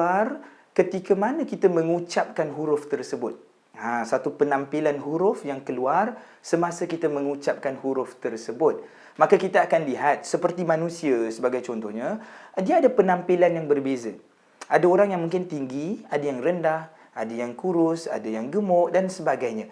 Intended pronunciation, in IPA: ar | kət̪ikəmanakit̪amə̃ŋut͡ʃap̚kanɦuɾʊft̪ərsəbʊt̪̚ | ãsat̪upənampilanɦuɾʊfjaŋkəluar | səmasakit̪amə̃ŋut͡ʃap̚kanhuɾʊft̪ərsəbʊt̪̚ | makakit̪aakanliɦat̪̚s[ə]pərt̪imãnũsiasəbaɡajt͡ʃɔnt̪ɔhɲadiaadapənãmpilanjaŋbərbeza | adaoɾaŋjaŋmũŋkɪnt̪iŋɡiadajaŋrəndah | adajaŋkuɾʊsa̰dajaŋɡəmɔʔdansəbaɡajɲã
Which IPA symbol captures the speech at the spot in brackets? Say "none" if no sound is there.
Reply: ə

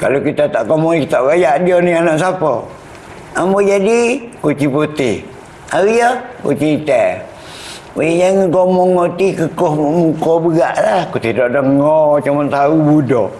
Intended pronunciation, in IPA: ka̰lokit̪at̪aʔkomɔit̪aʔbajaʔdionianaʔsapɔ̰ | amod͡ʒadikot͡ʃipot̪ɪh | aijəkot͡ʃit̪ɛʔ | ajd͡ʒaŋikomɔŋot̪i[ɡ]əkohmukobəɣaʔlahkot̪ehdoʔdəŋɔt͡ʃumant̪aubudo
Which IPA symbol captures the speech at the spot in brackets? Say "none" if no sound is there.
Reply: k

